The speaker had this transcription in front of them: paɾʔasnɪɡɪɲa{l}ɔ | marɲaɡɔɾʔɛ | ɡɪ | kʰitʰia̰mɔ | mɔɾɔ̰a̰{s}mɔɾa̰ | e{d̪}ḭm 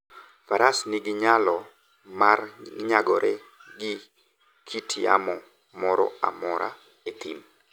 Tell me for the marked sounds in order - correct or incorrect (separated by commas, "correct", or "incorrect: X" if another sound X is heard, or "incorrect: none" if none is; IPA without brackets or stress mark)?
correct, incorrect: none, incorrect: t̪